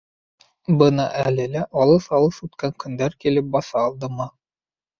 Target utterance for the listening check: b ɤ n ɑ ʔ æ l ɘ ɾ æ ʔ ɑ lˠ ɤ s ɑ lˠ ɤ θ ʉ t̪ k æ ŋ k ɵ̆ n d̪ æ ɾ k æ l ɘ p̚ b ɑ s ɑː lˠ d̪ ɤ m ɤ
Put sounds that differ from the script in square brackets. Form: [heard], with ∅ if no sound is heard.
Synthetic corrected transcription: b ɤ n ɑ ʔ æ l ɘ [l] æ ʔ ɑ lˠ ɤ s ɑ lˠ ɤ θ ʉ t̪ k æ ŋ k ɵ̆ n d̪ æ ɾ k [i] l ɘ p̚ b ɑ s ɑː lˠ d̪ ɤ m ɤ

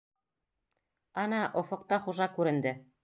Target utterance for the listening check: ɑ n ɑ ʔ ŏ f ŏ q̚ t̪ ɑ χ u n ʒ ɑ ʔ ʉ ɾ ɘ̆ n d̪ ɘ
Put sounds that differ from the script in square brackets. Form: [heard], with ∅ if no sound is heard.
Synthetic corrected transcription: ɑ n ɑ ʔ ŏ f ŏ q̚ t̪ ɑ χ u [∅] ʒ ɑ [k] ʉ ɾ ɘ̆ n d̪ ɘ

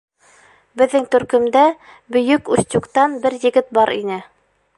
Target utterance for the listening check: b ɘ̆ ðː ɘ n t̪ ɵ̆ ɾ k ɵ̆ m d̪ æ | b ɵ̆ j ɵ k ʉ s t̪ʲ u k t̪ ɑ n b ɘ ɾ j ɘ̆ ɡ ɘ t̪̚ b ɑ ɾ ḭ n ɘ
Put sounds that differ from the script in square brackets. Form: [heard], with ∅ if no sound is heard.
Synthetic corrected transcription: b ɘ̆ ðː ɘ [ŋ] t̪ ɵ̆ ɾ k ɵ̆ m d̪ æ | b ɵ̆ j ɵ k ʉ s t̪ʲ u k t̪ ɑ n b ɘ ɾ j ɘ̆ ɡ ɘ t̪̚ b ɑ ɾ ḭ n ɘ

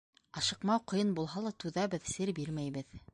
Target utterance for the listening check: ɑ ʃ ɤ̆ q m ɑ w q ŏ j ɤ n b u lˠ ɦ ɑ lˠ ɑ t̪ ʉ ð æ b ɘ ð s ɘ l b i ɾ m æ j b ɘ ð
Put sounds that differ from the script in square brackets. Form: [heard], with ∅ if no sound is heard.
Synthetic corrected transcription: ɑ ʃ ɤ̆ q m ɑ w q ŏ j ɤ n b u lˠ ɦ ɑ lˠ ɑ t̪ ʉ ð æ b ɘ ð s ɘ [ɾ] b i ɾ m æ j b ɘ ð

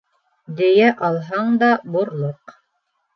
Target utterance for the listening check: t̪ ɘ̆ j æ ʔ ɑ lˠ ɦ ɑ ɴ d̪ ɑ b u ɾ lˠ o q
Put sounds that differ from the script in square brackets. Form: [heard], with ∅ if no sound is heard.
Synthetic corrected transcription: [d̪] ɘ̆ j æ ʔ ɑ lˠ ɦ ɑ ɴ d̪ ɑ b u ɾ lˠ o q

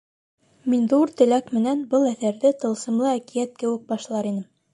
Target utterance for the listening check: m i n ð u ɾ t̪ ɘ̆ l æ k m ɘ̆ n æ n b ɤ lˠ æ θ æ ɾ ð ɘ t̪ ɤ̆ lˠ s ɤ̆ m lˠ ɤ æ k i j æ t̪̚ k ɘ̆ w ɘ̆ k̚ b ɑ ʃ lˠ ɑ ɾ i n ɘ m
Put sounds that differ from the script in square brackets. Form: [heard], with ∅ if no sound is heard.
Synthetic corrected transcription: m i n ð u ɾ t̪ ɘ̆ l æ k m ɘ̆ n æ n b ɤ lˠ æ θ æ ɾ ð ɘ t̪ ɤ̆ lˠ s ɤ̆ m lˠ ɤ æ k i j æ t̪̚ k ɘ̆ w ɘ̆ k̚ b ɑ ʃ lˠ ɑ ɾ i n ɘ m

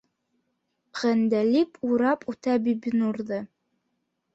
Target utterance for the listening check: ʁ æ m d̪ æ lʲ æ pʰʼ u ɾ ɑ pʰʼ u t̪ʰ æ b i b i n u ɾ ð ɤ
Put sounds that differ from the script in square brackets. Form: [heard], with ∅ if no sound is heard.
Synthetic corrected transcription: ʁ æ [n] d̪ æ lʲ [i] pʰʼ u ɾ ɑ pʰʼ u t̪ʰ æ b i b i n u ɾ ð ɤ

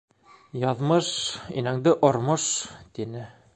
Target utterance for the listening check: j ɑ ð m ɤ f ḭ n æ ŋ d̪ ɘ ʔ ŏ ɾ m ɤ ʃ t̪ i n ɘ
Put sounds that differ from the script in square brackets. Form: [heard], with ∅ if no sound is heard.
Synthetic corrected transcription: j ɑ ð m ɤ [ʃ] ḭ n æ ŋ d̪ ɘ ʔ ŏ ɾ m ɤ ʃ t̪ i n ɘ

